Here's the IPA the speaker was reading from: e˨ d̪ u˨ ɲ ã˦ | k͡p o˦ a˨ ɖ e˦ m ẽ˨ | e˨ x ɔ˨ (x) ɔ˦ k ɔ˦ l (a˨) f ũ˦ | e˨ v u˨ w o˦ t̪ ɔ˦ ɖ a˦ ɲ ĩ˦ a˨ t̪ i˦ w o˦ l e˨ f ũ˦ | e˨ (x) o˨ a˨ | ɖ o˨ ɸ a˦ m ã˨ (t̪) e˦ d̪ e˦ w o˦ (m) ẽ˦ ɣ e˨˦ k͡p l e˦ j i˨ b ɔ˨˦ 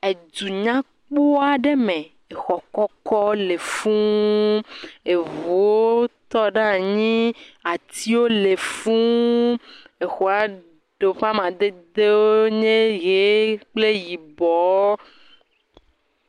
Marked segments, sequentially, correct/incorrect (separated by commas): incorrect, incorrect, correct, incorrect, incorrect